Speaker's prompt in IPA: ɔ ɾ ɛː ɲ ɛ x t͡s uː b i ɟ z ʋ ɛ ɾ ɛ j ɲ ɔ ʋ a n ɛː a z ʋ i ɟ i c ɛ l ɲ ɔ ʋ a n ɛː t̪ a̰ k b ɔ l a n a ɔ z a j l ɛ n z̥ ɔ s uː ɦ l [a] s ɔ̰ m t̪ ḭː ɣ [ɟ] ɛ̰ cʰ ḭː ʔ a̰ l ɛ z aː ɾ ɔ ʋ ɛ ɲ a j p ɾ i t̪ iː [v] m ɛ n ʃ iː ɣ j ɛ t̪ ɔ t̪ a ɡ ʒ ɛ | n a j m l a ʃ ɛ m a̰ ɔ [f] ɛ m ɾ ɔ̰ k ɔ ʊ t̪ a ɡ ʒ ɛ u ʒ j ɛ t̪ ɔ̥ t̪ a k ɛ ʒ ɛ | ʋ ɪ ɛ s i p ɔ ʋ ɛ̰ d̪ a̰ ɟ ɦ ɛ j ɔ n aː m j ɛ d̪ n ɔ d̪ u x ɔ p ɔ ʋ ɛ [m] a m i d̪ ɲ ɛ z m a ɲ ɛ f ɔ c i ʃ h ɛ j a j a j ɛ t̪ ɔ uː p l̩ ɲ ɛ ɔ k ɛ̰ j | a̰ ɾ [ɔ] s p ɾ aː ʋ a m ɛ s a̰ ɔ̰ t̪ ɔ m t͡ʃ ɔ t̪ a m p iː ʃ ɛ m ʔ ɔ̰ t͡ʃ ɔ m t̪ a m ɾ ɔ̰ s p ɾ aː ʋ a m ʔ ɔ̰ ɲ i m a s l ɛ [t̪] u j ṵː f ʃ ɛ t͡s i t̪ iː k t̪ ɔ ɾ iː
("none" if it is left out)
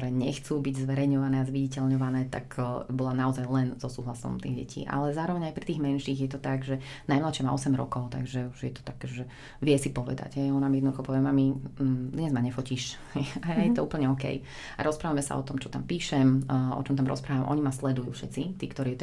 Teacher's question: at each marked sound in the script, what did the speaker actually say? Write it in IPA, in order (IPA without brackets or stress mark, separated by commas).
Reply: a, ɟ, ɣ, s, m, ɔ, d̪